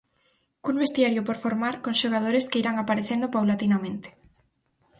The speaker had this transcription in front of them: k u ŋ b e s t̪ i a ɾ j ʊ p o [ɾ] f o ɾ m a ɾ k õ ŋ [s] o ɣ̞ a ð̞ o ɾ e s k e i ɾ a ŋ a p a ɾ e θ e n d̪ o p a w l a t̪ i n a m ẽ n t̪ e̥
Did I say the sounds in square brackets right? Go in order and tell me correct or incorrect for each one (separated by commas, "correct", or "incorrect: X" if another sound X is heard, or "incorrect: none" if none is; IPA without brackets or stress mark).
correct, incorrect: ʃ